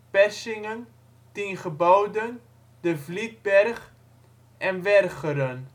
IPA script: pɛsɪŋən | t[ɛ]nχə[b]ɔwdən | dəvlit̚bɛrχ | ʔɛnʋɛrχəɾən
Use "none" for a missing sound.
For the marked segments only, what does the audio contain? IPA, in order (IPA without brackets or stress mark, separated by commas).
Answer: i, b